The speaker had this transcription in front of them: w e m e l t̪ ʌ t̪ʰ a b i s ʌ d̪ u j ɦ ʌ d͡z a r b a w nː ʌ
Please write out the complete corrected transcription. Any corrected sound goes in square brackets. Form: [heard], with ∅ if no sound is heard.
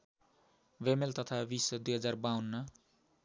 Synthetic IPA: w e m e l t̪ ʌ t̪ʰ a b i s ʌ d̪ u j ɦ ʌ d͡z a r b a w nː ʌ